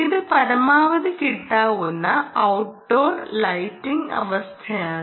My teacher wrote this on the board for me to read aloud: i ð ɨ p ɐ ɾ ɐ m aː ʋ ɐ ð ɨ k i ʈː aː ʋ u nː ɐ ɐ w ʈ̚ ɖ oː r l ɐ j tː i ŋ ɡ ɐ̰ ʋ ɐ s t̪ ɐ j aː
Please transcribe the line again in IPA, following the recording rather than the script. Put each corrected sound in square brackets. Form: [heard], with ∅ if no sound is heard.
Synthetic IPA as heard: i ð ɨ p ɐ ɾ ɐ m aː ʋ ɐ ð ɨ k i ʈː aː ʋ u nː ɐ ɐ w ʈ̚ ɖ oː r l ɐ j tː i ŋ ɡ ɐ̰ ʋ ɐ s [t̪ʰ] ɐ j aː